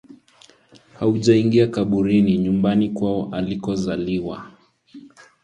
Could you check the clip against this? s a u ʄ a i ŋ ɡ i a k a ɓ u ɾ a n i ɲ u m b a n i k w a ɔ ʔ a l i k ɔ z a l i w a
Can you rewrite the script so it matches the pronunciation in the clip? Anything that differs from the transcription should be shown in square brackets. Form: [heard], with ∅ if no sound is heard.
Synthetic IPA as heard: [h] a u ʄ a i ŋ ɡ i a k a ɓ u ɾ [i] n i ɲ u m b a n i k w a ɔ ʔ a l i k ɔ z a l i w a